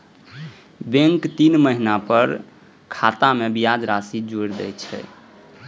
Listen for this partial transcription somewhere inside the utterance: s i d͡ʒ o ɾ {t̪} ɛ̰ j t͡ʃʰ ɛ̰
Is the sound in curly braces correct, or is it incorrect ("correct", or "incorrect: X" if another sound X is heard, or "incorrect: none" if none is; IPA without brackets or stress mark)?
incorrect: d̪